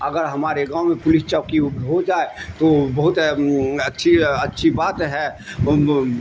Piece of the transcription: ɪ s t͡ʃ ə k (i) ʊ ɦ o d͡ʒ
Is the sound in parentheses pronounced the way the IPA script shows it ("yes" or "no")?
yes